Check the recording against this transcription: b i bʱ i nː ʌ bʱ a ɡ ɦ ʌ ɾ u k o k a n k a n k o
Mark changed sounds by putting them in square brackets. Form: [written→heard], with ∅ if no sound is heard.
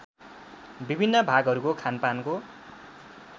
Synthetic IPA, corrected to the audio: b i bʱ i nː ʌ bʱ a ɡ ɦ ʌ ɾ u k o [k→kʰ] a n [k→p] a n k o